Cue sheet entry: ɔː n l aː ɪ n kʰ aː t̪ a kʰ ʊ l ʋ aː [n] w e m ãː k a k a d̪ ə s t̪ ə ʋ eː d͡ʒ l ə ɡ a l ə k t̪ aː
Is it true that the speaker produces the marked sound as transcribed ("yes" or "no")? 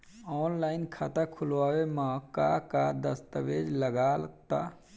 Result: no